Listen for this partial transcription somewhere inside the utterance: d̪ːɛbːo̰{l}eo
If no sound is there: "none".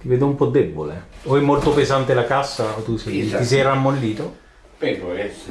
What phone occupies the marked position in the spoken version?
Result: l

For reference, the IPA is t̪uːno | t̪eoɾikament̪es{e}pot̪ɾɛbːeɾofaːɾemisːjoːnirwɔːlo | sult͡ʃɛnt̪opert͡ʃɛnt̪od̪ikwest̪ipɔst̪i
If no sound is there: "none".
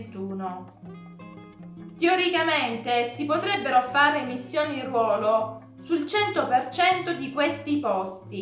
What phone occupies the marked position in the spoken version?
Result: i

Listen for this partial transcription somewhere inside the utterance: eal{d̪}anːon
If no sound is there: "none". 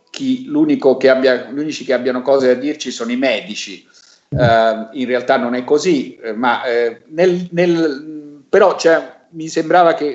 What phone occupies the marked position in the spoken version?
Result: t̪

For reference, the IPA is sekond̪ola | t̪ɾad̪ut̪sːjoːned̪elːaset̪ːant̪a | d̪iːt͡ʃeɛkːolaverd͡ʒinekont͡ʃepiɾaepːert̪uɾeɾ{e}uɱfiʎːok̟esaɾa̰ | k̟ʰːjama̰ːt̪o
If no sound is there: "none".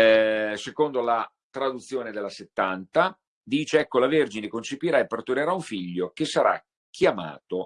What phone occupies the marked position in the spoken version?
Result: a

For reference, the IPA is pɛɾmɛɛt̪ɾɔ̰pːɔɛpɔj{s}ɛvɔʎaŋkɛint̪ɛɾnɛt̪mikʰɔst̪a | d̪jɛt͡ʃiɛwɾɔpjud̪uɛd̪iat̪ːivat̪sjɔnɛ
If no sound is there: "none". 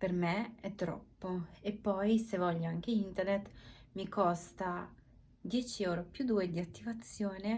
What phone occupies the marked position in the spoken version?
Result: s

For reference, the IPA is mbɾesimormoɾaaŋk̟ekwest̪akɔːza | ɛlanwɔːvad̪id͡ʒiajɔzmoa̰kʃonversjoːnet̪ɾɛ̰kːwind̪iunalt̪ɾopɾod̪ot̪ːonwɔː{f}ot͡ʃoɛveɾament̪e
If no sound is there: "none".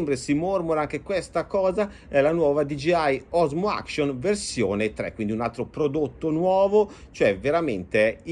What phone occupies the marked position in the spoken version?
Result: v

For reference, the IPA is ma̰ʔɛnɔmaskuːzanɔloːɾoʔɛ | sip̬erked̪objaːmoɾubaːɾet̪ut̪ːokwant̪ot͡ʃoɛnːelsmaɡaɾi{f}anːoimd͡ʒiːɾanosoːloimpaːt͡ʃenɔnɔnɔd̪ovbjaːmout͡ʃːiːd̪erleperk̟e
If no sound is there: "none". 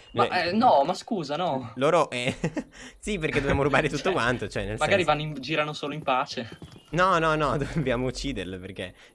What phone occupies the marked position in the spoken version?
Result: v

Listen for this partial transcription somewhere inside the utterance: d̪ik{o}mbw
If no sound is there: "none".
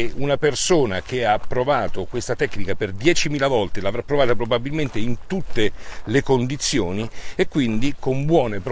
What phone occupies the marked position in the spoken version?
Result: o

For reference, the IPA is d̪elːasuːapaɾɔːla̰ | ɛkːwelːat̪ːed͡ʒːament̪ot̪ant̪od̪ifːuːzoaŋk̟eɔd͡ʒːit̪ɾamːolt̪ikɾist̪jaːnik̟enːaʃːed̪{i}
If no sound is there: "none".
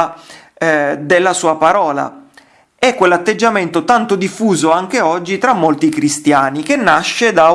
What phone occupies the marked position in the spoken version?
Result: a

